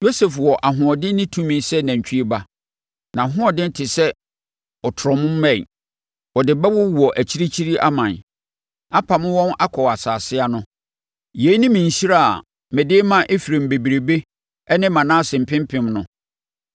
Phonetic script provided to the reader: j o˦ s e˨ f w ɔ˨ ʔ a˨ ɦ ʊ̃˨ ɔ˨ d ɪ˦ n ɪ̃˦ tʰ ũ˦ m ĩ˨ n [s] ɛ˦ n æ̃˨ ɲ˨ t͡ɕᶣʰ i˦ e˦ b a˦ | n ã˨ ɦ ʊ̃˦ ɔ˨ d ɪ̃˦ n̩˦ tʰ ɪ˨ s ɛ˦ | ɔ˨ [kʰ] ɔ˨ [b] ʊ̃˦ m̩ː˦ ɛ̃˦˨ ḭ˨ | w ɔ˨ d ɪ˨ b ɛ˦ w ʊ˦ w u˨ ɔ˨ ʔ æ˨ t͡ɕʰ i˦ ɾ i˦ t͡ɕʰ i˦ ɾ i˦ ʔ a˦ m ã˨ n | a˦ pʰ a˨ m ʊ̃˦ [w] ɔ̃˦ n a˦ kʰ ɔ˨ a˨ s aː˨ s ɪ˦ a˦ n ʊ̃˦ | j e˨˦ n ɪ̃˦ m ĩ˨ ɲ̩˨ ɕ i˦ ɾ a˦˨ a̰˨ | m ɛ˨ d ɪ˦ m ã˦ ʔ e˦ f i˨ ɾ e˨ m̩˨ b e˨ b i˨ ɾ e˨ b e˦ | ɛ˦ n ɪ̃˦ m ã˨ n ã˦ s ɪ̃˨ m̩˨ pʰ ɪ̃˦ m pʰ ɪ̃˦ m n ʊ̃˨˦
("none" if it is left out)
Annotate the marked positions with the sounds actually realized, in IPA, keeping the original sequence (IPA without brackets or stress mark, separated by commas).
s, tʰ, m, w